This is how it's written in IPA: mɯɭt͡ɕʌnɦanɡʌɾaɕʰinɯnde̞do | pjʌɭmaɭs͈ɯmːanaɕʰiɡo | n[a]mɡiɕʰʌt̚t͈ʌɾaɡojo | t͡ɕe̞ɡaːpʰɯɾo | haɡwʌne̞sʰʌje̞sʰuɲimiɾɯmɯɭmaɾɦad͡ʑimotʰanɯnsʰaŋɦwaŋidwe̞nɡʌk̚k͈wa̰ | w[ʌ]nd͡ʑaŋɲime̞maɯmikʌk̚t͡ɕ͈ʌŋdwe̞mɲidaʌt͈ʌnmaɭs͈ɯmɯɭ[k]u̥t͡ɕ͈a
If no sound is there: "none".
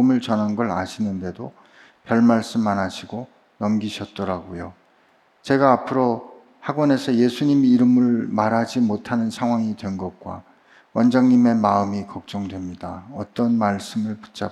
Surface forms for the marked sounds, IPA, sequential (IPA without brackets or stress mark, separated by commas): ʌ, ʌ, p